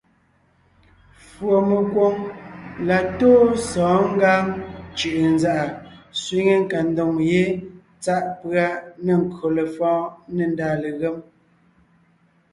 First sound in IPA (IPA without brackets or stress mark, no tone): f